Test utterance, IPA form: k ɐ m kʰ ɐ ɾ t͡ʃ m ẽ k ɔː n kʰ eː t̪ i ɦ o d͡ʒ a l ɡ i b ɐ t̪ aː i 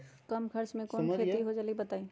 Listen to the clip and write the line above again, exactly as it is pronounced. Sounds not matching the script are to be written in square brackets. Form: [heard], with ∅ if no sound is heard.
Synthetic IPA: k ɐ m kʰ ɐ ɾ t͡ʃ m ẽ k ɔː n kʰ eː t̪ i ɦ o d͡ʒ a l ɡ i b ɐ t̪ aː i